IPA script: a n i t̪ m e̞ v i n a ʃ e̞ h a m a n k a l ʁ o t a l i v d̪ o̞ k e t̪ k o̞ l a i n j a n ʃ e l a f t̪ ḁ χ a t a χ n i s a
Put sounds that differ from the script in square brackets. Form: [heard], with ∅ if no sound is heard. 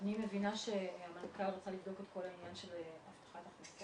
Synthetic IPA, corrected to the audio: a n i [∅] m e̞ v i n a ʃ e̞ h a m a n k a l ʁ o [t͡s] a l i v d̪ o̞ k e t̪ k o̞ l a i n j a n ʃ e l a f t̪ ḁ χ a t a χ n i s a